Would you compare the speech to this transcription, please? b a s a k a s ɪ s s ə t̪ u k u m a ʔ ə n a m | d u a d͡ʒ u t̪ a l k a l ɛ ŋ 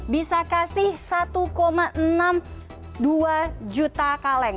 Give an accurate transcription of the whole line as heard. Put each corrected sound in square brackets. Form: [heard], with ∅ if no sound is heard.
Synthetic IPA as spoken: b [i] s a k a s ɪ [h] s [a] t̪ u k [o] m a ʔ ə n a m | d u a d͡ʒ u t̪ a [∅] k a l ɛ ŋ